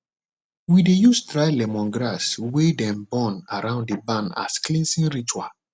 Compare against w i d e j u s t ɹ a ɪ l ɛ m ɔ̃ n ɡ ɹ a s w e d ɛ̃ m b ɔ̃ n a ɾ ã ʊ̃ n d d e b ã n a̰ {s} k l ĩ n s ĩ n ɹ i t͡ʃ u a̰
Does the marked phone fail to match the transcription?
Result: no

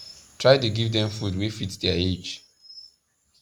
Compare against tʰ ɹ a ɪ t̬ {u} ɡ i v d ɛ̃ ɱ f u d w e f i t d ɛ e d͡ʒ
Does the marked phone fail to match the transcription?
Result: no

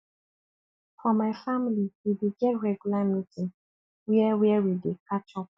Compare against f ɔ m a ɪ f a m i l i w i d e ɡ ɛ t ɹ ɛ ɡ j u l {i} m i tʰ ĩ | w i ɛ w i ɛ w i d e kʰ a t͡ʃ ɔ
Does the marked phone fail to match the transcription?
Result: yes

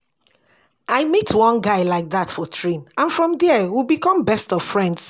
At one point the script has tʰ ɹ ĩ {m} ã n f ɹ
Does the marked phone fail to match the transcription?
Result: yes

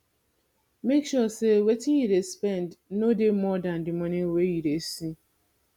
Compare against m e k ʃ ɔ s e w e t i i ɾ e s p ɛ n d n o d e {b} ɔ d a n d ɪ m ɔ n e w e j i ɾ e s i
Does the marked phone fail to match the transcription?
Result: yes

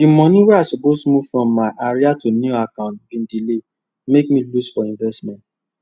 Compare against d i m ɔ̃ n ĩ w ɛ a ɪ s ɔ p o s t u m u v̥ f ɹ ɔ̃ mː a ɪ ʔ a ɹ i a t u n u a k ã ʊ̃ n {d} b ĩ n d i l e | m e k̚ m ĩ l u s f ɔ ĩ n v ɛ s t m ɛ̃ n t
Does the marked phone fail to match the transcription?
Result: yes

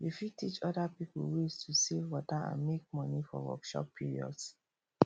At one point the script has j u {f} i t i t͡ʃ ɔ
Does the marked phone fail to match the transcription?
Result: no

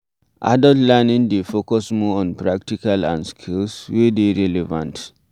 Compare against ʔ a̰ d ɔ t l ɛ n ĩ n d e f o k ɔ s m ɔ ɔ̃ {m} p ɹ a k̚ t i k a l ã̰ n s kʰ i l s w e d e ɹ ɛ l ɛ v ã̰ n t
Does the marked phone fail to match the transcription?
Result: yes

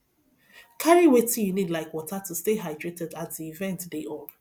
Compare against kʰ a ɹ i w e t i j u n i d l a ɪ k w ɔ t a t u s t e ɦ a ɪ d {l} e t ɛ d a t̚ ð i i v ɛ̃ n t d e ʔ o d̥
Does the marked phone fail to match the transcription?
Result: yes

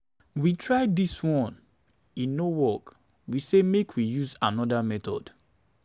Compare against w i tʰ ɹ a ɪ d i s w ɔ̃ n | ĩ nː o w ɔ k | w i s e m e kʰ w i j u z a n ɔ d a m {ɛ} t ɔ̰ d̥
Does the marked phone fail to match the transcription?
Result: no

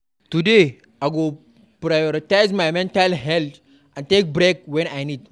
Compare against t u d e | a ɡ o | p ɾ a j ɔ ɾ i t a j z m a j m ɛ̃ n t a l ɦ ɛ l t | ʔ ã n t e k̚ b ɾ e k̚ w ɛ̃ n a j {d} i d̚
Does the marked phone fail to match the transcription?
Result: yes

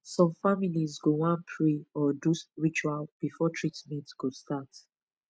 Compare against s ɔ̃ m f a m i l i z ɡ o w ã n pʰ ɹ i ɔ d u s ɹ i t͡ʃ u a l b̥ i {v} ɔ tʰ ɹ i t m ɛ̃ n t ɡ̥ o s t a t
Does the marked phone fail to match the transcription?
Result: yes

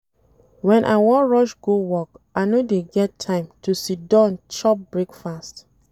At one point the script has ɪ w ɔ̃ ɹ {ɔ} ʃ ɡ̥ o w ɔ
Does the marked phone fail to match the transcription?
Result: no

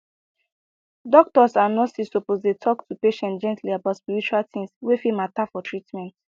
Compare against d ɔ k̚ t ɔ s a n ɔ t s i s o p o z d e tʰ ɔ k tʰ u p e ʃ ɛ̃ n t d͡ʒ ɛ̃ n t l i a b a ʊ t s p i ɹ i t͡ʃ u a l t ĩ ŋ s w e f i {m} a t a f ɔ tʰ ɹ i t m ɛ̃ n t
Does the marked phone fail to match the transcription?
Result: no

